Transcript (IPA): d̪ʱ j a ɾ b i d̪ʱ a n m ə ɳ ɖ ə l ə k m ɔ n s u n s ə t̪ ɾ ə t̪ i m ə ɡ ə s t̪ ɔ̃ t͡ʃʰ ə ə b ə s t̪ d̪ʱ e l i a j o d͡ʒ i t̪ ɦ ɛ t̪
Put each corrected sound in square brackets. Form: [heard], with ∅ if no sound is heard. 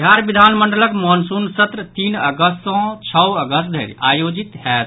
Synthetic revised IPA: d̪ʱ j a ɾ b i d̪ʱ a n m ə ɳ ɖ ə l ə k m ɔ n s u n s ə t̪ ɾ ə t̪ i [n] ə ɡ ə s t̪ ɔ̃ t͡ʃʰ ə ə [ɡ] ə s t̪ d̪ʱ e [ɾ] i a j o d͡ʒ i t̪ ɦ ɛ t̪